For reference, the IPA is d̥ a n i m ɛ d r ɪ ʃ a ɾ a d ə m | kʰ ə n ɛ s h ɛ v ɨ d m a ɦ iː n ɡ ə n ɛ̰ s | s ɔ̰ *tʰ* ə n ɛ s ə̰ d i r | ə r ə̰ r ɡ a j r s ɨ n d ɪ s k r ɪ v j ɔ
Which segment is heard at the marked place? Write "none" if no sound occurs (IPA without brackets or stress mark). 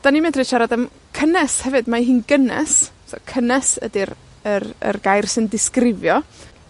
kʰ